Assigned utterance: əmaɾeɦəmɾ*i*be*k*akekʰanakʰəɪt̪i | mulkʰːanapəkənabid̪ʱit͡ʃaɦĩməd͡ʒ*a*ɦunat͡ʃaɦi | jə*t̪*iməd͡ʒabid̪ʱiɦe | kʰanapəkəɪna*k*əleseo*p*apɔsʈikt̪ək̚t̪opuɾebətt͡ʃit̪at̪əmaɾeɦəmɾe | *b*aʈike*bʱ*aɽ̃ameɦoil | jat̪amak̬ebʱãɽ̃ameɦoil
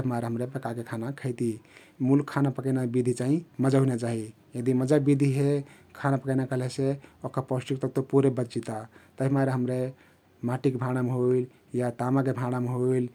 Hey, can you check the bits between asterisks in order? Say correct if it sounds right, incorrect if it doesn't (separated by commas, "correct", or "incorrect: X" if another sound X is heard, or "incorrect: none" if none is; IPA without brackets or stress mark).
incorrect: e, correct, correct, incorrect: d̪, correct, incorrect: k, incorrect: m, correct